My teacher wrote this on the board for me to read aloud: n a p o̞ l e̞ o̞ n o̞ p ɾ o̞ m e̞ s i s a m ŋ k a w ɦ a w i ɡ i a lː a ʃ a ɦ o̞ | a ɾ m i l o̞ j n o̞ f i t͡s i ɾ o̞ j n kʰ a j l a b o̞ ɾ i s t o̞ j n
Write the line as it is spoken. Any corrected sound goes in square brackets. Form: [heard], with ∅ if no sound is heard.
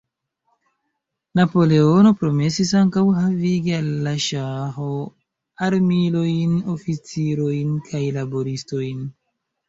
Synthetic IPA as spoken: n a p o̞ l e̞ o̞ n o̞ p ɾ o̞ m e̞ s i s a [∅] ŋ k a w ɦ a [v] i ɡ i a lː a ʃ a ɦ o̞ | a ɾ m i l o̞ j n o̞ f i t͡s i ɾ o̞ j n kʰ a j l a b o̞ ɾ i s t o̞ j n